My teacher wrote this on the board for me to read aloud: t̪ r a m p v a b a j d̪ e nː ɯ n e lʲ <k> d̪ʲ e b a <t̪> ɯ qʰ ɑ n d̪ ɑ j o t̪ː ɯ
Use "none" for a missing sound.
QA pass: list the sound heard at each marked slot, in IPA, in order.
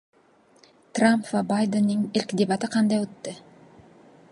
k, t̪

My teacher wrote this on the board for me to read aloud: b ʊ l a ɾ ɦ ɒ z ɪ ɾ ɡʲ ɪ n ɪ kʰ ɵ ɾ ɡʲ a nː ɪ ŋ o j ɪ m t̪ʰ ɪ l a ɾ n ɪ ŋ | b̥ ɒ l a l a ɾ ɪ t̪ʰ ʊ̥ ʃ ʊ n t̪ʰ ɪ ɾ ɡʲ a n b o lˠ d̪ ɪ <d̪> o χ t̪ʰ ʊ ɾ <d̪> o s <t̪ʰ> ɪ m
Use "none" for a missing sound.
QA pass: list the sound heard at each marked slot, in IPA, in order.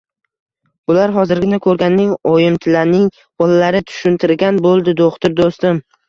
d̪, d̪, t̪

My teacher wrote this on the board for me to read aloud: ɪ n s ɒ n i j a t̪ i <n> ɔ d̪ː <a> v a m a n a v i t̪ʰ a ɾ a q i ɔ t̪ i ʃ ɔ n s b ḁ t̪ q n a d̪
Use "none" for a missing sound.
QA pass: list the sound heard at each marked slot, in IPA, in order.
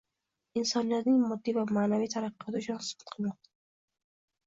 m, i

